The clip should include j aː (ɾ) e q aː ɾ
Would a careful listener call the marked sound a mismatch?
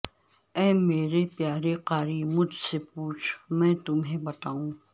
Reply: no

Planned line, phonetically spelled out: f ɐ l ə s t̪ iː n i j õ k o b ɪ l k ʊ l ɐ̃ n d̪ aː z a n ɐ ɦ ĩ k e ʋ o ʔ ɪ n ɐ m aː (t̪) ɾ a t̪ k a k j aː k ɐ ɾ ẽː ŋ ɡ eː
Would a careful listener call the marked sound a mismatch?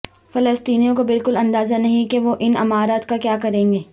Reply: yes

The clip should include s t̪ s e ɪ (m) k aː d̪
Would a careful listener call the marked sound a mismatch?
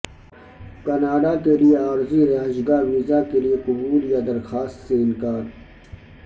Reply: yes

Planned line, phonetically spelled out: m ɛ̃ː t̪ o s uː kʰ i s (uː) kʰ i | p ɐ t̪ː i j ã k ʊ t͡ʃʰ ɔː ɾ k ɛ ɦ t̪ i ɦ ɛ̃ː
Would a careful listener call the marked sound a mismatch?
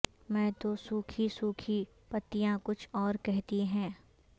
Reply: no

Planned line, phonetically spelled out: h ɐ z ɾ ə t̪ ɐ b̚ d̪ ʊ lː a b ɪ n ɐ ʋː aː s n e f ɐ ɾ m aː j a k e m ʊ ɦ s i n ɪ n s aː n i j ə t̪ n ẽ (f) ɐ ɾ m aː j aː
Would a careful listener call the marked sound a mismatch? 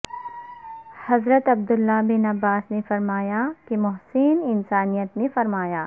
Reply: no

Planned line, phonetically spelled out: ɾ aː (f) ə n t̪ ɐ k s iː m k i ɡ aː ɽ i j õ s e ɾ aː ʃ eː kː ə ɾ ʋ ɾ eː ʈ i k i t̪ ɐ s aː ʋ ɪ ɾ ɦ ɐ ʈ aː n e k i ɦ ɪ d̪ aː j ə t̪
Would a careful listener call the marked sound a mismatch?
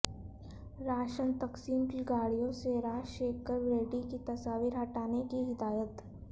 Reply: yes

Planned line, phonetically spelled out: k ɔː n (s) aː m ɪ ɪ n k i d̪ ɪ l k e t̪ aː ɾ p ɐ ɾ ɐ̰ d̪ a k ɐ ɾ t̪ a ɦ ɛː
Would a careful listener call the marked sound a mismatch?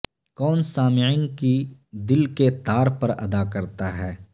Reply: no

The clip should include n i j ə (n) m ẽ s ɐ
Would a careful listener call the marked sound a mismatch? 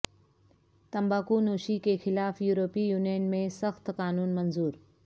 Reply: no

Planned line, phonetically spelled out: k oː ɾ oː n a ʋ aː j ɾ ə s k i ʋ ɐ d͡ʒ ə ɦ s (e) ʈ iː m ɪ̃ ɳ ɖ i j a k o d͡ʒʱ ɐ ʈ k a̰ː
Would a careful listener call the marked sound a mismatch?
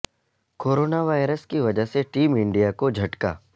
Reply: no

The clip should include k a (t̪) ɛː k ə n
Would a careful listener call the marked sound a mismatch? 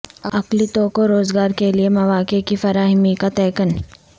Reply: no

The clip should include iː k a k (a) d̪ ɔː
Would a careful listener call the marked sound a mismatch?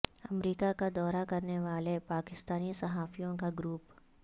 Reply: no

